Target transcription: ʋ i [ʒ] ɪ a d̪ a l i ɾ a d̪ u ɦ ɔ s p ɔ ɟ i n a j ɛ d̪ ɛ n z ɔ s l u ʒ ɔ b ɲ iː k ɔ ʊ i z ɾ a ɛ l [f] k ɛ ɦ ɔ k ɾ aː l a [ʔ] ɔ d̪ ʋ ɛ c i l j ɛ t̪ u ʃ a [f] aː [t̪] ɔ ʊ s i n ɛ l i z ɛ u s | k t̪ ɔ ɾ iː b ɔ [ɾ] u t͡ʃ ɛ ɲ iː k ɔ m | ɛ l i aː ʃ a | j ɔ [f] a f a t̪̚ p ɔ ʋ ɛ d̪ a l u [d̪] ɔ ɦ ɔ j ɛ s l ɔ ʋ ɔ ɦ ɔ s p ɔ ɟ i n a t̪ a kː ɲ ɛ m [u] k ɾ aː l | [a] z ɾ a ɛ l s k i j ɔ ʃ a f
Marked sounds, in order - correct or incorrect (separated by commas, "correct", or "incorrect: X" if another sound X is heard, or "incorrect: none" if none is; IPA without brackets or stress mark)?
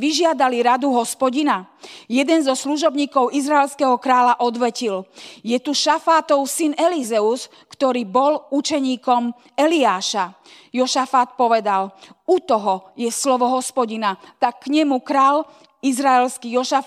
correct, incorrect: s, correct, correct, correct, incorrect: l, incorrect: ʃ, incorrect: t̪, correct, incorrect: i